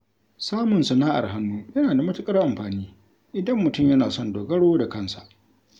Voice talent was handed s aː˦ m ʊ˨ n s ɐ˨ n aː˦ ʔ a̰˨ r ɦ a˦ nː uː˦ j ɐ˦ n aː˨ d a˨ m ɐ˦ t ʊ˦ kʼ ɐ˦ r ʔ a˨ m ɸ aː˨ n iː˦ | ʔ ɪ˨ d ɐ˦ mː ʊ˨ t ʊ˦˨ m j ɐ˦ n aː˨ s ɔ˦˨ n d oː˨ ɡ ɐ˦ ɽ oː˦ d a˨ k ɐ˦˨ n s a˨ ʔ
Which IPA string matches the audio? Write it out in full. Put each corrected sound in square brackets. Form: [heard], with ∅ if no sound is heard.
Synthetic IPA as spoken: s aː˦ m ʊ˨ n s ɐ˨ n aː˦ ʔ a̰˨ r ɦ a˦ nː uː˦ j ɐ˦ n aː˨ d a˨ m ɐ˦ t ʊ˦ kʼ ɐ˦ r ʔ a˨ m ɸ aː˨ n iː˦ | ʔ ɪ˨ d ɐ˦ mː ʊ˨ t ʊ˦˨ m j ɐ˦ n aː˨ s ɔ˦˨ n d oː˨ ɡ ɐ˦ ɽ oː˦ d a˨ k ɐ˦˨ n s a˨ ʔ

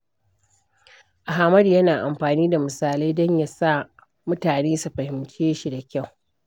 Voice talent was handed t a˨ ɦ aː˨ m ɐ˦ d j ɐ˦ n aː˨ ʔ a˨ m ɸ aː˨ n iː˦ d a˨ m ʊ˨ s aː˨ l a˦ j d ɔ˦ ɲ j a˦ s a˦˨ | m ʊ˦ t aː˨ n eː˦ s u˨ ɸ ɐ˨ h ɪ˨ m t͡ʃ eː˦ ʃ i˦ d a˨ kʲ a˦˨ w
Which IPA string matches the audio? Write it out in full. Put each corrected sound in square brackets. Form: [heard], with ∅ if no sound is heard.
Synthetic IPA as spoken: [ʔ] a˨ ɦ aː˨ m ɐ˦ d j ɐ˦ n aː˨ ʔ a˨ m ɸ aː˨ n iː˦ d a˨ m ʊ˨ s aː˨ l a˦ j d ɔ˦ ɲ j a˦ s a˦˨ | m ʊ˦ t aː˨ n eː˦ s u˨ ɸ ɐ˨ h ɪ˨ m t͡ʃ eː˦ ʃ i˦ d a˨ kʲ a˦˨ w

